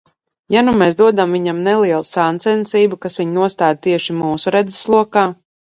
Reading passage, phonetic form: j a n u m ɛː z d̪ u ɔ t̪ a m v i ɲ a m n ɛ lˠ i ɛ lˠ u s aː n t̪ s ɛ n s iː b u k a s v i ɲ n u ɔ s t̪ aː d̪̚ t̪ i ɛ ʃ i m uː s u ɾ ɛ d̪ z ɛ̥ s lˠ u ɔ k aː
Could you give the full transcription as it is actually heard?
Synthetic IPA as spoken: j a n u m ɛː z d̪ u ɔ d̪ a m v i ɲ a m n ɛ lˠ i ɛ lˠ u s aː n t̪ s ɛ n s iː b u k a s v i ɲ n u ɔ s t̪ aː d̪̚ t̪ i ɛ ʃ i m uː s u ɾ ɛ d̪ z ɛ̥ s lˠ u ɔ k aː